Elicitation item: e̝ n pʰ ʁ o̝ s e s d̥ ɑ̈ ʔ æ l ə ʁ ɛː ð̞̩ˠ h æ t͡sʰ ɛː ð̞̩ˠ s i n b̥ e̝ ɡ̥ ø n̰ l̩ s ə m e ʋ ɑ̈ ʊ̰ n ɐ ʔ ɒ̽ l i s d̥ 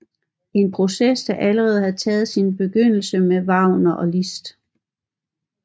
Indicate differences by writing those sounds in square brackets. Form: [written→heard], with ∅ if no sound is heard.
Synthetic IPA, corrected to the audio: e̝ n pʰ ʁ o̝ s e s d̥ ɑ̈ ʔ æ l ə ʁ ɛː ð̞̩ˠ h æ t͡sʰ ɛː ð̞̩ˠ s i n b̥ e̝ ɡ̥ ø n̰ l̩ s ə m e ʋ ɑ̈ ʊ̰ n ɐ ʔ ɒ̽ l i s d̥